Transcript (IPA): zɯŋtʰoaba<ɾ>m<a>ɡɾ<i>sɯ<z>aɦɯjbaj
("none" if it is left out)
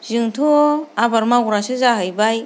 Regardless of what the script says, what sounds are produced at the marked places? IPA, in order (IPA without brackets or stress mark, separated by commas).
ɾ, a, a, z